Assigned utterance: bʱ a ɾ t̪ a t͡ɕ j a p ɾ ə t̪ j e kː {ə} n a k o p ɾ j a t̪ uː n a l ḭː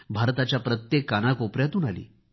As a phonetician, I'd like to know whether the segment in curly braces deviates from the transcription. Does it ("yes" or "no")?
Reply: yes